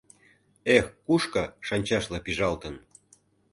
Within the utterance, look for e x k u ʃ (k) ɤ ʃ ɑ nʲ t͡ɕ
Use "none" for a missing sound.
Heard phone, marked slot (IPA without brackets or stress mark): k